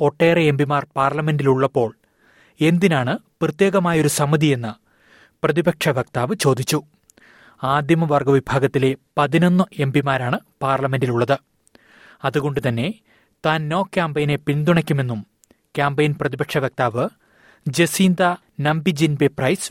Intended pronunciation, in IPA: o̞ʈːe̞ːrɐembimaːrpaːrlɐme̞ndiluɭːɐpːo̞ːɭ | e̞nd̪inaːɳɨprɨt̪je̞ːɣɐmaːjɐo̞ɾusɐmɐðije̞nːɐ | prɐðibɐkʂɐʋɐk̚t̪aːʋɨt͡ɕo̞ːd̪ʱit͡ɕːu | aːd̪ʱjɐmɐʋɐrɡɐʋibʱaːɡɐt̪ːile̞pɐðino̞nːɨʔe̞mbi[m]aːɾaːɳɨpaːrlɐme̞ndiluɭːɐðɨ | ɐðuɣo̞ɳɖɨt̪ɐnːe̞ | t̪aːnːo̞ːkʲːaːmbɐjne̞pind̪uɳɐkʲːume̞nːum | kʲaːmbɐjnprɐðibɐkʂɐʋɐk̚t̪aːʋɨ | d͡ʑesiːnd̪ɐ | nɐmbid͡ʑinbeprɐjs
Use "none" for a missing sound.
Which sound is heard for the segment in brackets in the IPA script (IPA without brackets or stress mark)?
m